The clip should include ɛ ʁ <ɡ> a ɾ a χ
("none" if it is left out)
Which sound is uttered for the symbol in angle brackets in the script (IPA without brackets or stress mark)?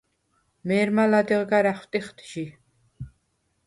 ɡ